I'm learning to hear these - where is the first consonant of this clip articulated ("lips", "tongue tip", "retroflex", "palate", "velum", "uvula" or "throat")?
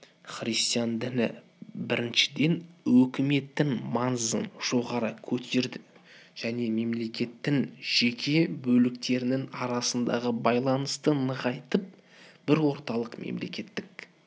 uvula